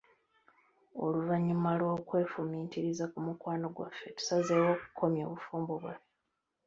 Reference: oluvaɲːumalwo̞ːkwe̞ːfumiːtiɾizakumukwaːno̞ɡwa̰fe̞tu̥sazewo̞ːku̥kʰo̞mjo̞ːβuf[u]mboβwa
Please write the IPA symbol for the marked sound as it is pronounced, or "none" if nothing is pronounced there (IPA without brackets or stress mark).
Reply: uː